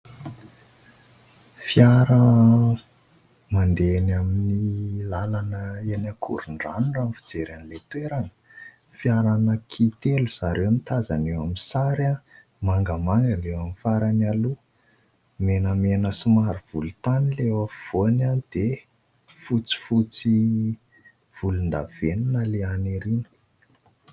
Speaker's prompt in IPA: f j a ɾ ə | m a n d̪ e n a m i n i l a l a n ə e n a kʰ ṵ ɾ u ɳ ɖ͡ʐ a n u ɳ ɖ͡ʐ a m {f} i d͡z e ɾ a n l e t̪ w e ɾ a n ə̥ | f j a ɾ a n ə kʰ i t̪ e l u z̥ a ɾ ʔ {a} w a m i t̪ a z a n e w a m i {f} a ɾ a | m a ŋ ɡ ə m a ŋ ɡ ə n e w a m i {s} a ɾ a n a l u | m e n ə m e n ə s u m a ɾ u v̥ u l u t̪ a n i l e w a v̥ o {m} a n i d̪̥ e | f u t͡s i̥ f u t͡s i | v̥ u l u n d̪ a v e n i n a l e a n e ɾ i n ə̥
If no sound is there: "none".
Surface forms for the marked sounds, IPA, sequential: f, e, s, f, n

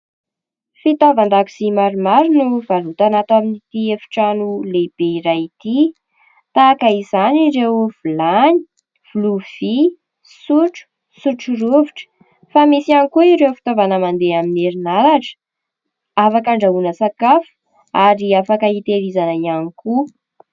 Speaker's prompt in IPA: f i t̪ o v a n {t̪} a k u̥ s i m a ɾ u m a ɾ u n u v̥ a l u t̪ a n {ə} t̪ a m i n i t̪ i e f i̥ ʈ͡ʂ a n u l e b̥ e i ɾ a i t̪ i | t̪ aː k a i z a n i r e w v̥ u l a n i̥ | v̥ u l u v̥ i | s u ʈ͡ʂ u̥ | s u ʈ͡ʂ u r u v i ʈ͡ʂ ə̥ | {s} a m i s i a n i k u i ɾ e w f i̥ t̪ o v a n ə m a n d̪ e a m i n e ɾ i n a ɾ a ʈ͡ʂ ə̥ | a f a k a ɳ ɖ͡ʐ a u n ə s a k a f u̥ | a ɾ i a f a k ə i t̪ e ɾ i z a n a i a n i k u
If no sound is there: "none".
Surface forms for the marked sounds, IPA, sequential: d̪, a, f

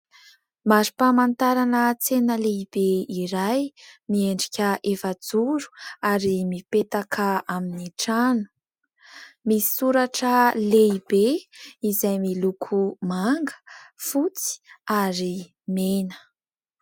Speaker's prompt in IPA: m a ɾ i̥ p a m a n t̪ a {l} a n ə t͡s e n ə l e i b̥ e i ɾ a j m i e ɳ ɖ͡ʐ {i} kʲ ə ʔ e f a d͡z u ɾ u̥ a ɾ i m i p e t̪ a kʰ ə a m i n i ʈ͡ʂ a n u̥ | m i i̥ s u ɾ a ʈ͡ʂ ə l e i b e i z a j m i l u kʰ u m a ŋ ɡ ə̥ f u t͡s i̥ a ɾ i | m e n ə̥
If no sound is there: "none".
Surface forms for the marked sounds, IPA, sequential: ɾ, i

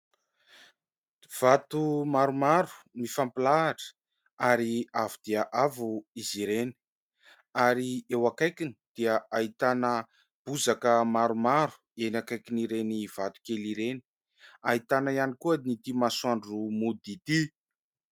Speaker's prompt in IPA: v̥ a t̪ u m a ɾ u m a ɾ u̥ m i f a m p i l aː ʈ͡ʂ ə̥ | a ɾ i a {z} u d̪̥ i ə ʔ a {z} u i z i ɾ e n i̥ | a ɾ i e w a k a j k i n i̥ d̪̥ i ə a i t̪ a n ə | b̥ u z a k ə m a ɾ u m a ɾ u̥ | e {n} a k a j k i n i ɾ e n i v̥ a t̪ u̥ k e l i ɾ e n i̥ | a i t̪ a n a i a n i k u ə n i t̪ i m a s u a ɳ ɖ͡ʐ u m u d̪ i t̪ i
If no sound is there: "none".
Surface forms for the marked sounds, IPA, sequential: v, v, n

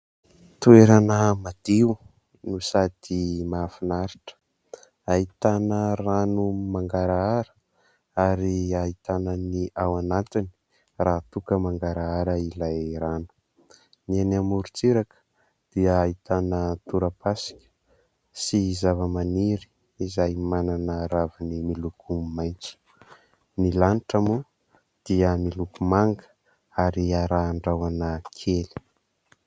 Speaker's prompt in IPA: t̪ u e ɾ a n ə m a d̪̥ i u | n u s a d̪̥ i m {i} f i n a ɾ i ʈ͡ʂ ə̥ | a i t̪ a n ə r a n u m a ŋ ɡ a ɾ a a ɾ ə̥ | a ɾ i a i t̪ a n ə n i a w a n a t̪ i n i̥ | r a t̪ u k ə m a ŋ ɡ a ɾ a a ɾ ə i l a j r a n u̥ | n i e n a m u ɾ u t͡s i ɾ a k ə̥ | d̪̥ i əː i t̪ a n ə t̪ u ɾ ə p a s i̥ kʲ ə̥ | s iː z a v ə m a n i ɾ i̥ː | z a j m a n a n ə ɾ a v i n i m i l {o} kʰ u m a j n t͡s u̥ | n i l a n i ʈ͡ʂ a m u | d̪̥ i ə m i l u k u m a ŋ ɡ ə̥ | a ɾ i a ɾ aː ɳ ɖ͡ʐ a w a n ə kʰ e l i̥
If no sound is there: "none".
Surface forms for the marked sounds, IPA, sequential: a, u

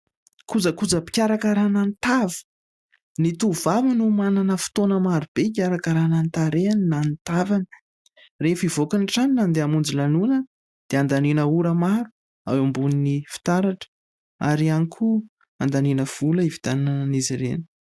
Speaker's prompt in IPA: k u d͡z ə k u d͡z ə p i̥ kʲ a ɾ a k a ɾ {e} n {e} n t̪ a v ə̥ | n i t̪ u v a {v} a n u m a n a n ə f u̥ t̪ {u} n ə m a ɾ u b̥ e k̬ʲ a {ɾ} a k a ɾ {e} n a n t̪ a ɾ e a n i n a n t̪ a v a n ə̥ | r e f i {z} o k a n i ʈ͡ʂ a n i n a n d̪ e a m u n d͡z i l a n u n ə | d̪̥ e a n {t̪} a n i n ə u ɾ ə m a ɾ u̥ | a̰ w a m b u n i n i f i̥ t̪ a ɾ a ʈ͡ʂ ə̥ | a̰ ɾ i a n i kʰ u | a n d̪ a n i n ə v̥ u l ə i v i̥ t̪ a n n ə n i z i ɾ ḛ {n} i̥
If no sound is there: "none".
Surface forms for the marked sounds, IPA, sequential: a, a, v, o, ɾ, a, v, d̪, n

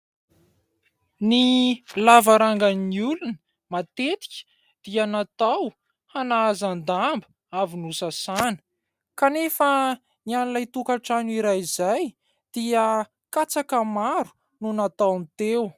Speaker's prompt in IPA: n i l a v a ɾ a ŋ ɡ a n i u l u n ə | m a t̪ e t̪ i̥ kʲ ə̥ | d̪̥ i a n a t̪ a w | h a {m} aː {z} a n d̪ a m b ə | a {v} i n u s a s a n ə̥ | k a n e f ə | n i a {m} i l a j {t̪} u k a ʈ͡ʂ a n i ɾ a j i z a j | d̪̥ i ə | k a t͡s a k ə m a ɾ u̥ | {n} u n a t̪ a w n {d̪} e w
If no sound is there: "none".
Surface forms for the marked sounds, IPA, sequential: n, z, v, n, t̪, n, t̪

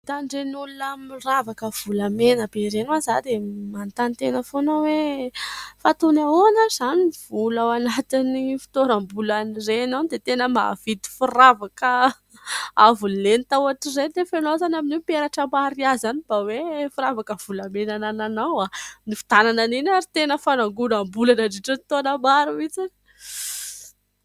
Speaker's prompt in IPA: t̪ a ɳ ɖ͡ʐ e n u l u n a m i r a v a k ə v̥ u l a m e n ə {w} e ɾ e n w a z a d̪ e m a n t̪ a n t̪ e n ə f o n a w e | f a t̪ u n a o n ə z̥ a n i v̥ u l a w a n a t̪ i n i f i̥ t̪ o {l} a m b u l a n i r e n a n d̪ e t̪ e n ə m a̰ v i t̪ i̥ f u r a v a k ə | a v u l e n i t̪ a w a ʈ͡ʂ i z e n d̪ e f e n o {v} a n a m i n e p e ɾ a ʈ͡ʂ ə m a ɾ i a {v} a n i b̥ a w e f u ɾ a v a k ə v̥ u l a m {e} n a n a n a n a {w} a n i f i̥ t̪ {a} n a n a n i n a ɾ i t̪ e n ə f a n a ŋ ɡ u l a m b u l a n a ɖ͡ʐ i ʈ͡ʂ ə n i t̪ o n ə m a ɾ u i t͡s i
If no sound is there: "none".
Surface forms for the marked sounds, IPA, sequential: b, ɾ, z, z, e, w, a

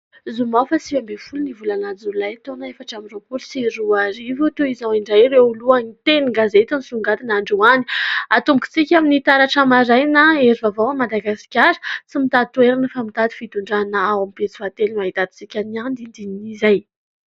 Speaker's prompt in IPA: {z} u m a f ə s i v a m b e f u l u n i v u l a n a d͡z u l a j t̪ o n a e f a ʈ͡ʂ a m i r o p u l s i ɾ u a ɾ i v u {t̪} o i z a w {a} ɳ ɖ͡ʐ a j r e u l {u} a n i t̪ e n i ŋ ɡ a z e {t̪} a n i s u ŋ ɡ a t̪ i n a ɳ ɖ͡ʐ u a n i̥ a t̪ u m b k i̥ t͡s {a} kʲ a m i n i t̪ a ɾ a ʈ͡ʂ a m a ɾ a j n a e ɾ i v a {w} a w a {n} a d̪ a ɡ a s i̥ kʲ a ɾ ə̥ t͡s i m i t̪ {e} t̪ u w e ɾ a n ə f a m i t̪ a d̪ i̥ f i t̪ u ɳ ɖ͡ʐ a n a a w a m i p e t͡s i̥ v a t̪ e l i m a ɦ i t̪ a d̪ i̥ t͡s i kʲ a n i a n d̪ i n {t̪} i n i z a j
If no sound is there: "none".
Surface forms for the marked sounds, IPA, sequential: z, t̪, i, u, t̪, i, v, m, a, d̪

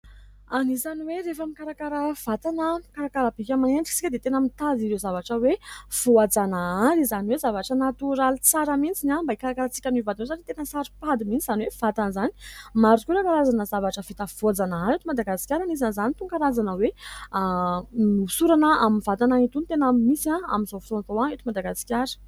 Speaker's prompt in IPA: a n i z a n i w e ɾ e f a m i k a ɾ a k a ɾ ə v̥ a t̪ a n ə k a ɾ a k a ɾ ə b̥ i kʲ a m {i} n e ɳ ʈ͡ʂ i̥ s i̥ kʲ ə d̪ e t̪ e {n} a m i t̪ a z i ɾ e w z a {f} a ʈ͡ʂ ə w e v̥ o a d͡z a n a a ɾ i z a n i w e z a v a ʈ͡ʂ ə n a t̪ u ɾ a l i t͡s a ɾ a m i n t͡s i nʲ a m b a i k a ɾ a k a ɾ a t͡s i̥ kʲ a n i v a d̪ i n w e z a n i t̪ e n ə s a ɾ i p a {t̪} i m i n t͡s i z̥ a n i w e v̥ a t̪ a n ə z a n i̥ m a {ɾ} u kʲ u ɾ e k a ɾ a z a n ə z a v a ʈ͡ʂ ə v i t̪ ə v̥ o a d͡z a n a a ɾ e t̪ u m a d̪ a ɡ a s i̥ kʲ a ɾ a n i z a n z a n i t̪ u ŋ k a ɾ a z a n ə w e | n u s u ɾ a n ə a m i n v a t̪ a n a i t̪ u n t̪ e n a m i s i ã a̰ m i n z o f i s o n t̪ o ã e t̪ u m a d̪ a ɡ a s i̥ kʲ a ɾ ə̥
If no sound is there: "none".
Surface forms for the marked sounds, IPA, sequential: a, n, v, d̪, ɾ

